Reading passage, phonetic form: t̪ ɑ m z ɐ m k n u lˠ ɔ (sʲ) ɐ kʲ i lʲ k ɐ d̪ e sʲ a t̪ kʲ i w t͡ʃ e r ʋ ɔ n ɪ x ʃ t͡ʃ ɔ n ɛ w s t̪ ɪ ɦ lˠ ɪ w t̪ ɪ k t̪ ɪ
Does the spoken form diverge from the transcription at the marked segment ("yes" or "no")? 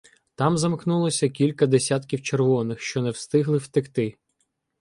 no